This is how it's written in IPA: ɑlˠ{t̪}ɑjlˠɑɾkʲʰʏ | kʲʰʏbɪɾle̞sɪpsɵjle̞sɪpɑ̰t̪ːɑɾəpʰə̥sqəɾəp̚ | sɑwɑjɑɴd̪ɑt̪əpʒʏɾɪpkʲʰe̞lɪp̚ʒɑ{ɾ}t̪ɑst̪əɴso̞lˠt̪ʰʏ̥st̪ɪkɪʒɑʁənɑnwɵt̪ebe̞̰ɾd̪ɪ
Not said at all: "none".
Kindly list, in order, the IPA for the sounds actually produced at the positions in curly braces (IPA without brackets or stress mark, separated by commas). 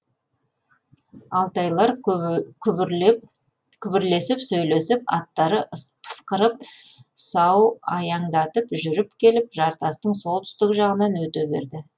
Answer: t̪, ɾ